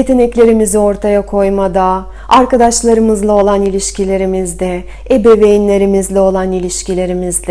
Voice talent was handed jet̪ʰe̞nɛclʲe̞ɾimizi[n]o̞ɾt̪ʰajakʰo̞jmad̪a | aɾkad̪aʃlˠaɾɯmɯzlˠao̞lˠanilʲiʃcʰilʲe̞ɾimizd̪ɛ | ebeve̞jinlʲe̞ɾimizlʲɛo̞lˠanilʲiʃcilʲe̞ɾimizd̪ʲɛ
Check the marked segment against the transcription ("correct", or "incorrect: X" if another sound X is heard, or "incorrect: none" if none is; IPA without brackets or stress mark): incorrect: none